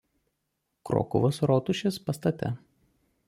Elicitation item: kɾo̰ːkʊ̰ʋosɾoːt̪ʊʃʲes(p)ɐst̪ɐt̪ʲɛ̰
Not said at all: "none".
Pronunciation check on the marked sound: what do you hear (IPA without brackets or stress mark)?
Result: p